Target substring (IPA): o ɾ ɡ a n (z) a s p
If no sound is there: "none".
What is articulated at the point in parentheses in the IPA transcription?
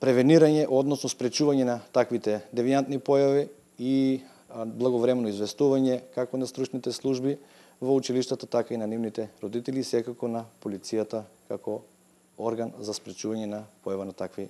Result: z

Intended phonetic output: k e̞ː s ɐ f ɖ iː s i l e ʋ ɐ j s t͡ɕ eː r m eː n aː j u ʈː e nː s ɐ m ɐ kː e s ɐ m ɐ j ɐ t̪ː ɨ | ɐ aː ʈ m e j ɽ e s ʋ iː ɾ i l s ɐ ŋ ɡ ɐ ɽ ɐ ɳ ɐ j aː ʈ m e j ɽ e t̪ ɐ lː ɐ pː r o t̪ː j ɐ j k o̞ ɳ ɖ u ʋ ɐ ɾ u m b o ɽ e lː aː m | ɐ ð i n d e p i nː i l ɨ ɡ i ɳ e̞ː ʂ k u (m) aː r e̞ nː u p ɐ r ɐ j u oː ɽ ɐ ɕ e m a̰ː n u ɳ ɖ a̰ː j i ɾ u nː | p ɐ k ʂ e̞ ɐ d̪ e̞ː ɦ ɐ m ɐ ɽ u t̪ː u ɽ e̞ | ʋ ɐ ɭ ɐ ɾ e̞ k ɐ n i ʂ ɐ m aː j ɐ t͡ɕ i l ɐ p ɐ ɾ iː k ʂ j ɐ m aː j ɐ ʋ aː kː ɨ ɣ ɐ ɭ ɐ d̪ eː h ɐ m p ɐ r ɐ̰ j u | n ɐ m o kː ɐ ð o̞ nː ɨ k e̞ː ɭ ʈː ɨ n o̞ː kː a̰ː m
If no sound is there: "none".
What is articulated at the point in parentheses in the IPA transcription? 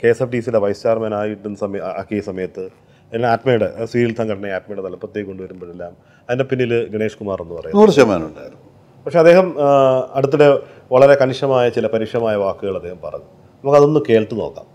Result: m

